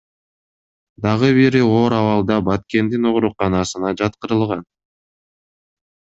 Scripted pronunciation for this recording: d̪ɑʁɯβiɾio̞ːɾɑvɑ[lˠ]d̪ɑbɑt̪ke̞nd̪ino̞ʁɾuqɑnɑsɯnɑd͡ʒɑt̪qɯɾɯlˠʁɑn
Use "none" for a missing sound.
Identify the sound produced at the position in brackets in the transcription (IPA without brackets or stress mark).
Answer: lˠ